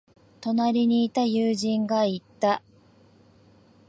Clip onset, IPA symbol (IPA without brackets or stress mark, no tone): t̪